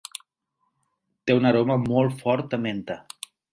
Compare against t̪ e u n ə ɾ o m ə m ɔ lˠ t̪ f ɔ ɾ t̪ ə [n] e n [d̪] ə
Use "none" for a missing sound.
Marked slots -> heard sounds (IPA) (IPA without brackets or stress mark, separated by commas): m, t̪